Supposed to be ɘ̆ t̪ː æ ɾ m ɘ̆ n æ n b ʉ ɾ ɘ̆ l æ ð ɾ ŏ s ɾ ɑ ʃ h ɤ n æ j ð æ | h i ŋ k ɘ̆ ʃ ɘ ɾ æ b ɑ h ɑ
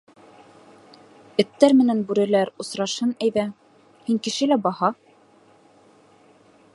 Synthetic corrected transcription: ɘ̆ t̪ː æ ɾ m ɘ̆ n æ n b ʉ ɾ ɘ̆ l æ ɾ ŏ s ɾ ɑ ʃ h ɤ n æ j ð æ | h i ŋ k ɘ̆ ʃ ɘ l æ b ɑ h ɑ

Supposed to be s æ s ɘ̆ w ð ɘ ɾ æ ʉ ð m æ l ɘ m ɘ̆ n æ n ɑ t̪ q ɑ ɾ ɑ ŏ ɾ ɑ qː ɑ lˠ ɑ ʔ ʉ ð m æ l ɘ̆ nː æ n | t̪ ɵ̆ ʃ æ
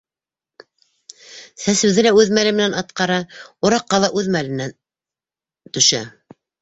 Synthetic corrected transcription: s æ s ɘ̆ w ð ɘ l æ ʉ ð m æ l ɘ m ɘ̆ n æ n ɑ t̪ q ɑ ɾ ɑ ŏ ɾ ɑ qː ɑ lˠ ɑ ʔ ʉ ð m æ l ɘ̆ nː æ n | t̪ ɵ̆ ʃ æ

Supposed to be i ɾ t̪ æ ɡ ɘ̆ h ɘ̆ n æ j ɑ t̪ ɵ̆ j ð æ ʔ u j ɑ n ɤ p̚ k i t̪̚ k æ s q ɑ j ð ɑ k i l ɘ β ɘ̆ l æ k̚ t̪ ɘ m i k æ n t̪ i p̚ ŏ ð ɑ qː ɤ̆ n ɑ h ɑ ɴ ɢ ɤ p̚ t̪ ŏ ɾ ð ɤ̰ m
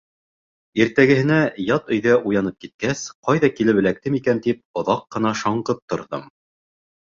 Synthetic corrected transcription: i ɾ t̪ æ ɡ ɘ̆ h ɘ̆ n æ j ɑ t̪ ɵ̆ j ð æ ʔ u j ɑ n ɤ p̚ k i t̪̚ k æ s q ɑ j ð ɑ k i l ɘ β ɘ̆ l æ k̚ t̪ ɘ m i k æ n t̪ i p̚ ŏ ð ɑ qː ɤ̆ n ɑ ʃ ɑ ɴ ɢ ɤ p̚ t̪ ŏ ɾ ð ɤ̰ m

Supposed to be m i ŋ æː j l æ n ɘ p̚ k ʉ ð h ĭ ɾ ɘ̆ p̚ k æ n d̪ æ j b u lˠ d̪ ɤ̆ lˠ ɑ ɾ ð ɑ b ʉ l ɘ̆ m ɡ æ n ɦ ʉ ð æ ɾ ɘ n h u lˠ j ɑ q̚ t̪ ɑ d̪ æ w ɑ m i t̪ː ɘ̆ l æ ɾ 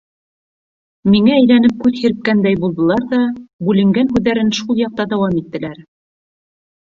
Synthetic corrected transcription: m i ŋ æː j l æ n ɘ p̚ k ʉ ð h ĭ ɾ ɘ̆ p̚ k æ n d̪ æ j b u lˠ d̪ ɤ̆ lˠ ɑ ɾ ð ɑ b ʉ l ɘ̆ ŋ ɡ æ n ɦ ʉ ð æ ɾ ɘ n ʃ u lˠ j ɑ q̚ t̪ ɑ d̪ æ w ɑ m i t̪ː ɘ̆ l æ ɾ

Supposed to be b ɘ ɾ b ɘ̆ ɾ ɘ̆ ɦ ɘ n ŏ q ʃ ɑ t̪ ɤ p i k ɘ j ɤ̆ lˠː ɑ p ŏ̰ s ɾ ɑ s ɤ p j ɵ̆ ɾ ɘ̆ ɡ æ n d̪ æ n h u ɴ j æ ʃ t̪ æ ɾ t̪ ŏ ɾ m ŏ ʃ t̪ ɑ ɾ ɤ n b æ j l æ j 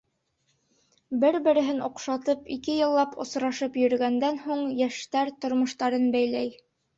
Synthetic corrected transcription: b ɘ ɾ b ɘ̆ ɾ ɘ̆ ɦ ɘ n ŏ q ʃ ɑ t̪ ɤ p i k ɘ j ɤ̆ lˠː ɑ p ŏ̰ s ɾ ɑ ʃ ɤ p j ɵ̆ ɾ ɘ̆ ɡ æ n d̪ æ n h u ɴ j æ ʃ t̪ æ ɾ t̪ ŏ ɾ m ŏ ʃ t̪ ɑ ɾ ɤ n b æ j l æ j

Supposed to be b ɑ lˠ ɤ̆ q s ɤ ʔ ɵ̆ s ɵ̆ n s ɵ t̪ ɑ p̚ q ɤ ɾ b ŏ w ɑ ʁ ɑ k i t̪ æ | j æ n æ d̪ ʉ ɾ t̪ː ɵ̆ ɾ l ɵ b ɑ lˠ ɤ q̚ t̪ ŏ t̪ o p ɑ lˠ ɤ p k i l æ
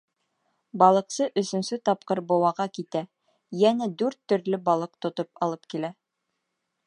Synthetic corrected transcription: b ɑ lˠ ɤ̆ q s ɤ ʔ ɵ̆ s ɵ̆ n s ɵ t̪ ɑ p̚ q ɤ ɾ b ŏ w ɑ ʁ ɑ k i t̪ æ | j æ n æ d̪ ʉ ɾ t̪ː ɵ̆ ɾ l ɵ b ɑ lˠ ɤ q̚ t̪ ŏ t̪ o p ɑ lˠ ɤ p k i l æ

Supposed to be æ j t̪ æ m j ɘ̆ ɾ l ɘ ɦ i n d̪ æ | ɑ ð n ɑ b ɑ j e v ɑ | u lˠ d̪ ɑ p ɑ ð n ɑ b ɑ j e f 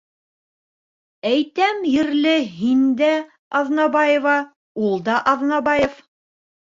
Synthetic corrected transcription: æ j t̪ æ m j ɘ̆ ɾ l ɘ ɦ i n d̪ æ | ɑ ð n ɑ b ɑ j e v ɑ | u lˠ d̪ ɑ ʔ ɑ ð n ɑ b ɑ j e f

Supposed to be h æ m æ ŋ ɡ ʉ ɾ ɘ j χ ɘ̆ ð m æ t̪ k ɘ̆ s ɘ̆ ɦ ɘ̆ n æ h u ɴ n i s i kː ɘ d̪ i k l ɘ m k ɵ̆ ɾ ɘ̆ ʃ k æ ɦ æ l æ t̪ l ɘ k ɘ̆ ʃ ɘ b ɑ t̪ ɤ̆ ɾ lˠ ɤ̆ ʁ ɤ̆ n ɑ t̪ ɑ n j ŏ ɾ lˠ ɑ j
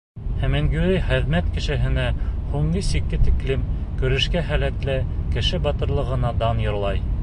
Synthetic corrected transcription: h æ m æ ŋ ɡ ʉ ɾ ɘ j χ ɘ̆ ð m æ t̪ k ɘ̆ ʃ ɘ̆ ɦ ɘ̆ n æ h u ɴ n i s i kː ɘ t̪ i k l ɘ m k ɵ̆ ɾ ɘ̆ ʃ k æ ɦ æ l æ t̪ l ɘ k ɘ̆ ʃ ɘ b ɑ t̪ ɤ̆ ɾ lˠ ɤ̆ ʁ ɤ̆ n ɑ d̪ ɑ n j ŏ ɾ lˠ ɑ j

